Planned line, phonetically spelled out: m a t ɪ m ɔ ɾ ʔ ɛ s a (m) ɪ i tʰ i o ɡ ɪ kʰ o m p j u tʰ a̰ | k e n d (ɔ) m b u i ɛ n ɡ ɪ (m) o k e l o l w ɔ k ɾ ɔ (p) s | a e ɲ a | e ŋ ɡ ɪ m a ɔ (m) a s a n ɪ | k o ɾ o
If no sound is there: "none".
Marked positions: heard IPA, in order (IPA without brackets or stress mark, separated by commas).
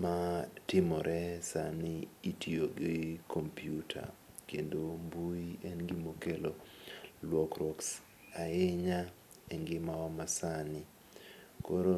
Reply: n, o, m, k, m